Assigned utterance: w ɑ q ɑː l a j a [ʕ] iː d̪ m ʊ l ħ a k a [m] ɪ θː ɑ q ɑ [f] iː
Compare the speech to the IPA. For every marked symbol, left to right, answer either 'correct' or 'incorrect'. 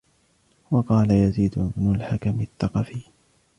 incorrect, correct, correct

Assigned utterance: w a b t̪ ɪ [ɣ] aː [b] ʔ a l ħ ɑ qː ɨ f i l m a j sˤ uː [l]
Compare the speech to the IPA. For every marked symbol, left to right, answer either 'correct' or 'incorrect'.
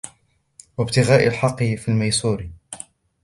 correct, incorrect, incorrect

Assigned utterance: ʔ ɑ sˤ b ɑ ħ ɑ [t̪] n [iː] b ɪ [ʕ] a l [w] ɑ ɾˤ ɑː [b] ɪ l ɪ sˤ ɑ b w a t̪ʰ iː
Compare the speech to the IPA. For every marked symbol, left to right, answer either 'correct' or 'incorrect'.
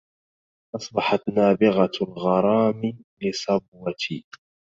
correct, incorrect, incorrect, incorrect, incorrect

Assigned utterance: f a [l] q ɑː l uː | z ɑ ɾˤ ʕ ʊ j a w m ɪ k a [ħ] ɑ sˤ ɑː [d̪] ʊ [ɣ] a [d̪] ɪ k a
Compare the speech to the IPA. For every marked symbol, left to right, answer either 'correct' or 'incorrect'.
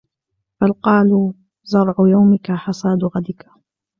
correct, correct, correct, correct, correct

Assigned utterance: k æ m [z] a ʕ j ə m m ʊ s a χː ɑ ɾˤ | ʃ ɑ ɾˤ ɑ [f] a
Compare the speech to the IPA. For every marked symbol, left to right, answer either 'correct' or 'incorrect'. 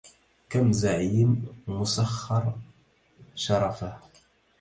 correct, correct

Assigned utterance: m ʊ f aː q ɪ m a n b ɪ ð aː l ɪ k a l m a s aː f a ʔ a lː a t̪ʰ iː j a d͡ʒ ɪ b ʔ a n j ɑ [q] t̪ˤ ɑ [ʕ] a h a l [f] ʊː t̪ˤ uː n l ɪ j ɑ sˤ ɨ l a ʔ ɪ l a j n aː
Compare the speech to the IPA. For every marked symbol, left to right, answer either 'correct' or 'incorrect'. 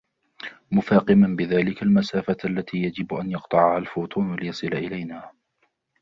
correct, correct, correct

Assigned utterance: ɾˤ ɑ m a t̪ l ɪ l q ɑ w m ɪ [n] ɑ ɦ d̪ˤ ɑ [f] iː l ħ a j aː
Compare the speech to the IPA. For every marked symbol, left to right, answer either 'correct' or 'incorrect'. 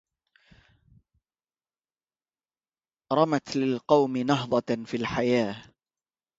correct, correct

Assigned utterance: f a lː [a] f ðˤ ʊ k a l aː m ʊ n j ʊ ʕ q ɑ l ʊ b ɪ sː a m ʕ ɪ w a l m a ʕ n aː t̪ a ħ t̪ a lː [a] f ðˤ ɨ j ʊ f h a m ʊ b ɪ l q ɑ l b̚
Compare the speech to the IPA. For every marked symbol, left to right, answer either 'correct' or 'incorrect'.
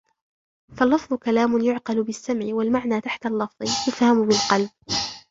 incorrect, incorrect

